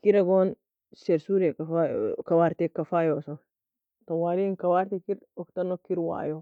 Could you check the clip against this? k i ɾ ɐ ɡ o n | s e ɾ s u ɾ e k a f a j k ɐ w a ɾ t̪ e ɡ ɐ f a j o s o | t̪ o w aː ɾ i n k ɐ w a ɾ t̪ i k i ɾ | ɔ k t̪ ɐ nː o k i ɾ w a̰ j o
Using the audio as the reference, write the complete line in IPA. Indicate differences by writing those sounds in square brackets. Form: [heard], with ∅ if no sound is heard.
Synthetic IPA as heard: k i ɾ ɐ ɡ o n | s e ɾ s u ɾ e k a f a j k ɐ w a ɾ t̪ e [k] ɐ f a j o s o | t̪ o w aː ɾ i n k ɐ w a ɾ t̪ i k i ɾ | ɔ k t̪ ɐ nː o k i ɾ w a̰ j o

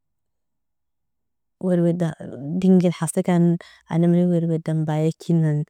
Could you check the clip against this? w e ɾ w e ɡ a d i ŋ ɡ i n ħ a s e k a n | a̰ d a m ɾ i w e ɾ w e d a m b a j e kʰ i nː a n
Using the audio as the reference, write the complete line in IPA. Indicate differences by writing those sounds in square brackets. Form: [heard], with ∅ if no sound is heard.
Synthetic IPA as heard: w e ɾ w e [d] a d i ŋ ɡ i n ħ a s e k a n | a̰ [n] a m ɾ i w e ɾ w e d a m b a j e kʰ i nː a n

